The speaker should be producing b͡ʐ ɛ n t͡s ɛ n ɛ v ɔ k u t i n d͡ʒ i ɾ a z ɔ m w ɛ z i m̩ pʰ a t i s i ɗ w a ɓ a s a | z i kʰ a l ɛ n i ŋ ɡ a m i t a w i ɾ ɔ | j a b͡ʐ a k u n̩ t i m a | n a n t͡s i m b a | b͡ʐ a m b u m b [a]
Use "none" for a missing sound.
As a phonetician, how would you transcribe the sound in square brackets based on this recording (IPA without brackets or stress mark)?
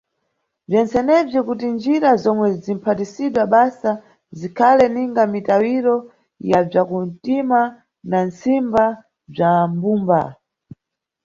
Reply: a